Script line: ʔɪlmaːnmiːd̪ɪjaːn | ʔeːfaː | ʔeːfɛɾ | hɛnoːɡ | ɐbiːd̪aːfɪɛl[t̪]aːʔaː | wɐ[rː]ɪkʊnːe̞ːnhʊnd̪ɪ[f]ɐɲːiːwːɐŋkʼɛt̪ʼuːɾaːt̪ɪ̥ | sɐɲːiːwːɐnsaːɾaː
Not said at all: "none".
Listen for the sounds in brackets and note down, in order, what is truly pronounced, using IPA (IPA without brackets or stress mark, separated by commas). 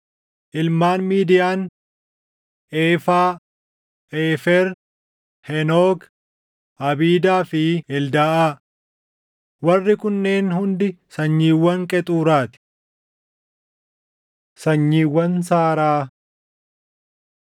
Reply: d̪, rː, s